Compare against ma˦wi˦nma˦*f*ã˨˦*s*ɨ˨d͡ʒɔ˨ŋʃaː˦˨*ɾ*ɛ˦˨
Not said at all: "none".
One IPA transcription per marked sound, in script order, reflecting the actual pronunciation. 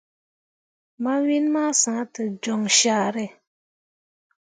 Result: s, t, ɾ

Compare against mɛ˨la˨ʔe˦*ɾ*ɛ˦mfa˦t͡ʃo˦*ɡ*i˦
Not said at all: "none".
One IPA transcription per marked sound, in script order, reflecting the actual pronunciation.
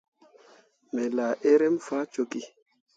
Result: ɾ, k

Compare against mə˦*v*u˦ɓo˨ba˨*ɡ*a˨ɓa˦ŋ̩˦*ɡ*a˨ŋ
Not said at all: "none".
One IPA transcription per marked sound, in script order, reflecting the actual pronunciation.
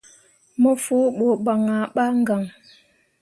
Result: f, ŋ, ɡ

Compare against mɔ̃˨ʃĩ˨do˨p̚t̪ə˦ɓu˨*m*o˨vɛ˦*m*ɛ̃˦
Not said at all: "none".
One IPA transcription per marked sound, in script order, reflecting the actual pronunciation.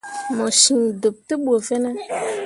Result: none, n

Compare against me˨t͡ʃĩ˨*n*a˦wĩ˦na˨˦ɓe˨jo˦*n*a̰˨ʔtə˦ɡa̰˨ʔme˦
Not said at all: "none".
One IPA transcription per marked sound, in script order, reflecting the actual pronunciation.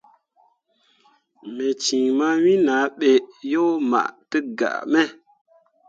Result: m, m

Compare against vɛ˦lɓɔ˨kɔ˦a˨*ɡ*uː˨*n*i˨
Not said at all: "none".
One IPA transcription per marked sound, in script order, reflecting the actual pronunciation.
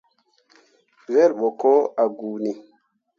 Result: ɡ, n

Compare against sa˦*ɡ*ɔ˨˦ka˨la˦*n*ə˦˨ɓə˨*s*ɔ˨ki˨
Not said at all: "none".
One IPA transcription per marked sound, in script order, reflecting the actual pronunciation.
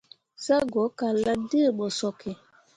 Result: ɡ, d, s

